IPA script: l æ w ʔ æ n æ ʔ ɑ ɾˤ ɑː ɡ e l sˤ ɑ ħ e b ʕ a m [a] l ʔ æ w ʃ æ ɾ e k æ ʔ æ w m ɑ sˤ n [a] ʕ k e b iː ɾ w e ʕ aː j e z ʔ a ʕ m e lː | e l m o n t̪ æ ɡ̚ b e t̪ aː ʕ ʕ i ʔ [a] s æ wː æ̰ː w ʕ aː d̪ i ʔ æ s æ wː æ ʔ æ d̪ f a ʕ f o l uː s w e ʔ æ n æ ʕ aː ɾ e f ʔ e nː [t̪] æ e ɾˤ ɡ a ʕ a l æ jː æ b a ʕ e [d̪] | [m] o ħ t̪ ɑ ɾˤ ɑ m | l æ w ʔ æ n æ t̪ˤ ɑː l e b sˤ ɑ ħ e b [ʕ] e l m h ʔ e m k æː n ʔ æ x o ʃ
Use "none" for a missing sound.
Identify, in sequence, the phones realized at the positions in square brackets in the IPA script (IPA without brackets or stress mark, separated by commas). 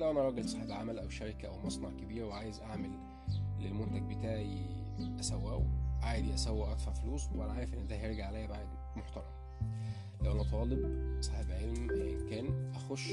æ, ɑ, æ, d̪, d̪, m, ʕ